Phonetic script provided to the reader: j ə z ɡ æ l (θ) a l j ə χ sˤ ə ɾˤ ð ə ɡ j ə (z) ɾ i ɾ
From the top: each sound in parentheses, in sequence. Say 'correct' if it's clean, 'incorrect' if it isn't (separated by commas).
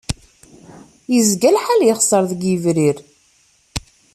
incorrect, incorrect